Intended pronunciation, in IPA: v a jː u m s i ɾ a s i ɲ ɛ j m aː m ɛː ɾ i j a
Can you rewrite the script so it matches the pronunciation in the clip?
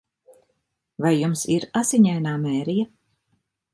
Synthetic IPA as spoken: v a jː u m s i ɾ a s i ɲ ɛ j n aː m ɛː ɾ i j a